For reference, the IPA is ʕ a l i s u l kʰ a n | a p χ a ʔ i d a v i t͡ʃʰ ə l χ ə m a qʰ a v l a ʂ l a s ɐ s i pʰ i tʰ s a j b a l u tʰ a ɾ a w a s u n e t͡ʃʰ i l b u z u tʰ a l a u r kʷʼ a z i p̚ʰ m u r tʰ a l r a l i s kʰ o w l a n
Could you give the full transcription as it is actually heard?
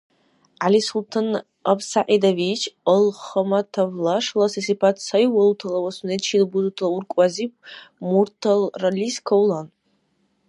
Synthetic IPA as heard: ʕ a l i s u l tʰ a n | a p s a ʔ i d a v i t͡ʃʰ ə l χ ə m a tʰ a v l a ʂ l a s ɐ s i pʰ a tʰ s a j w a l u tʰ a l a w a s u n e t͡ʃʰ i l b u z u tʰ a l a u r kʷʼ a z i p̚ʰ m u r tʰ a l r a l i s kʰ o w l a n